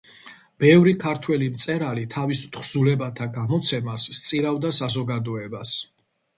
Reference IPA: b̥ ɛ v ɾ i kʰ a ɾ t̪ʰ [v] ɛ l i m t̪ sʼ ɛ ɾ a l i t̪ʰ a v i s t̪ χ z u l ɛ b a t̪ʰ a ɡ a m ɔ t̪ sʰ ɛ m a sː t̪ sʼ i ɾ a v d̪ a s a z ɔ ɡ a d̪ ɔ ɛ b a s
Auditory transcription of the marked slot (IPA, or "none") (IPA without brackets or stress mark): w